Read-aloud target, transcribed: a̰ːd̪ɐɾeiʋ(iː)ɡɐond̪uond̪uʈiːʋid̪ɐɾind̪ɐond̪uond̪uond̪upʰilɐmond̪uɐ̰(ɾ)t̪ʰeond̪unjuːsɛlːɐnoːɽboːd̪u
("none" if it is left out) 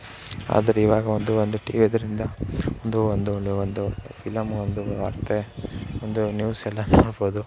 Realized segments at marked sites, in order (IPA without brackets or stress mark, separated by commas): aː, ɾ